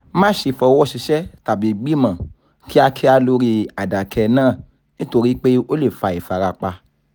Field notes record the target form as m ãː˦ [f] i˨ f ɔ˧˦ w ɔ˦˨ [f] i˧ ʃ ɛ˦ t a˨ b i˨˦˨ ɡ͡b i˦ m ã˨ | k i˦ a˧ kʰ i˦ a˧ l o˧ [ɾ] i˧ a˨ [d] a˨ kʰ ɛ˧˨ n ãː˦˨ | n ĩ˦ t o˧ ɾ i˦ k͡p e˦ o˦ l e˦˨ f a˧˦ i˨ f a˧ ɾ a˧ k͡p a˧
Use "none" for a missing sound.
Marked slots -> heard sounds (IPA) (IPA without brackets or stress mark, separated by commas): ʃ, ʃ, ɾ, d